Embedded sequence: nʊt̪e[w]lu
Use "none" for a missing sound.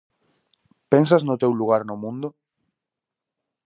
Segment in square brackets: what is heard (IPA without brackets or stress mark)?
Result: w